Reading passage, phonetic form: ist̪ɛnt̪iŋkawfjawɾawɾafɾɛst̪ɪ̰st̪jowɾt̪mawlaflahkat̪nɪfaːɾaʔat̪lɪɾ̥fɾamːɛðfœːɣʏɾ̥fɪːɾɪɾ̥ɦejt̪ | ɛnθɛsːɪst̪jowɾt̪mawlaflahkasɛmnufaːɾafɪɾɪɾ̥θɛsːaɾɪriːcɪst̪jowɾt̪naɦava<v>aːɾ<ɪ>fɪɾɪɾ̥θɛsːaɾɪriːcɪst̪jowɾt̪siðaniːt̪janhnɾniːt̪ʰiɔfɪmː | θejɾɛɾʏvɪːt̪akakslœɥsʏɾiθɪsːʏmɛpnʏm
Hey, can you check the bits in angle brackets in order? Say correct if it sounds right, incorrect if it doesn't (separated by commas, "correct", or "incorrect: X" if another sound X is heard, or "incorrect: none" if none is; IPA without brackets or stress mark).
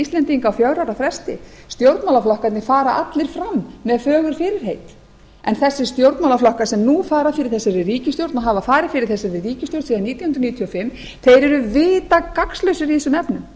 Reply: incorrect: f, correct